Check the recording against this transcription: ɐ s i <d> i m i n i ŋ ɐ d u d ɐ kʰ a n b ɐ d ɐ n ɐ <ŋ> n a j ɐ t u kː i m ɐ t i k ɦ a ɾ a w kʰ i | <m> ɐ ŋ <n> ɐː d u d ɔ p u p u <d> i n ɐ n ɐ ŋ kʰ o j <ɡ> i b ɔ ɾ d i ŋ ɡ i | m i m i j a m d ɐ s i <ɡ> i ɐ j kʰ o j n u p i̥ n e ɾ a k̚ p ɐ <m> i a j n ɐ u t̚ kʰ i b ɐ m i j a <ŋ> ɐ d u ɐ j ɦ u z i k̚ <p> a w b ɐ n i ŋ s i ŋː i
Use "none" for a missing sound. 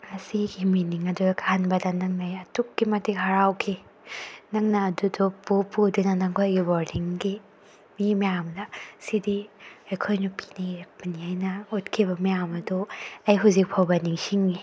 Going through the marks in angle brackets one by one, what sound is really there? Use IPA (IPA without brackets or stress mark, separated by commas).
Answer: ɡ, ŋ, n, n, d, ɡ, d, n, m, pʰ